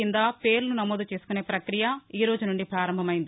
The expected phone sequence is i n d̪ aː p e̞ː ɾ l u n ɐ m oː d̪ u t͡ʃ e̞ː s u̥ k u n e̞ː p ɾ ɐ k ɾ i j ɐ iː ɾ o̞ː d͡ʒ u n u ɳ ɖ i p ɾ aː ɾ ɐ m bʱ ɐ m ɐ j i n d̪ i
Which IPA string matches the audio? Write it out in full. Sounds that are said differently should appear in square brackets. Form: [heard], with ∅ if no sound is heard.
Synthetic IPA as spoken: i n d̪ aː p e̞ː ɾ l u n ɐ m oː d̪ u t͡ʃ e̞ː s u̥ k u n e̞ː p ɾ ɐ k ɾ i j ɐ iː ɾ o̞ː d͡ʒ u n u ɳ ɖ i p ɾ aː ɾ ɐ m bʱ ɐ m ɐ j i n d̪ i